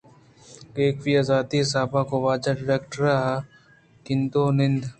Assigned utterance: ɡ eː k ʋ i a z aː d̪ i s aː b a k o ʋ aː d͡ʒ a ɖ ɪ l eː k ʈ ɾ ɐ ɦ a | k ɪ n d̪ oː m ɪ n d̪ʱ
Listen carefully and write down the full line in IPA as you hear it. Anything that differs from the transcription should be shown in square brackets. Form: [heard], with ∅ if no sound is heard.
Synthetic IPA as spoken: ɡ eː k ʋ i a z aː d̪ i s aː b a k o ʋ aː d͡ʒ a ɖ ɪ [ɾ] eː k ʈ ɾ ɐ ɦ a | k ɪ n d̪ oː [n] ɪ n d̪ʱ